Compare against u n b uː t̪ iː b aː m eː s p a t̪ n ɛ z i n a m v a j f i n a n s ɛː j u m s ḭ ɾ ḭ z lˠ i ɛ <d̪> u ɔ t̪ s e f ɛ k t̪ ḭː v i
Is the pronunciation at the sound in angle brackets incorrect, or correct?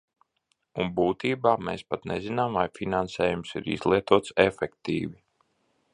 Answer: incorrect